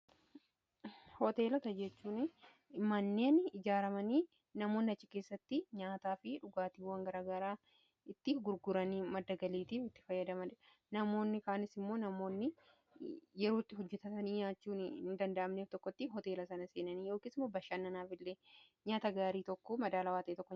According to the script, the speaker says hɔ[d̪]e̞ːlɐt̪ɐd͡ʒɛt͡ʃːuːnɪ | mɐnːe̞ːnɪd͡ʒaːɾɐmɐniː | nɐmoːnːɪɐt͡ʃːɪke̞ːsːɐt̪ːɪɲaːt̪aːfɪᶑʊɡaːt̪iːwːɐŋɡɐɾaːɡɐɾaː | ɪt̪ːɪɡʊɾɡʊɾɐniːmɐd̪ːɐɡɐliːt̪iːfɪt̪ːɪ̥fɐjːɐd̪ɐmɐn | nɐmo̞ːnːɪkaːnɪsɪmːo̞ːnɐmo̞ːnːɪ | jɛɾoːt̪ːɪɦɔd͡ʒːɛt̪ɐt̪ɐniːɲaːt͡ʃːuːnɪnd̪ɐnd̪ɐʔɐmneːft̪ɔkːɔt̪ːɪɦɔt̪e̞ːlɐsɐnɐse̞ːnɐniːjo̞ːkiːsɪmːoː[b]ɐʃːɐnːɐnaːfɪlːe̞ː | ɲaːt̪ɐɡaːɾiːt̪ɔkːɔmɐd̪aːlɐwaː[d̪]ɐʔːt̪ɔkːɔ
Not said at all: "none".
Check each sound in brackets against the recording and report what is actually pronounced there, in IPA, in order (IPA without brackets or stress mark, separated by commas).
t̪, b, t̪